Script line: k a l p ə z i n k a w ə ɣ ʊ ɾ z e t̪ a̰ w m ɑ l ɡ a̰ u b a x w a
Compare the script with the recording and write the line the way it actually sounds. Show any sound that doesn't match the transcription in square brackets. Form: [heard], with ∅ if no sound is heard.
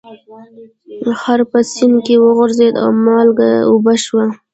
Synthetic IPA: [x] a [ɾ] p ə [s] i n k [e] w ə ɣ ʊ ɾ z e [d̪] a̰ w m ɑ l ɡ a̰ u b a [ʃ] w a